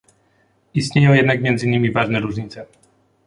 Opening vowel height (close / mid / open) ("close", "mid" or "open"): close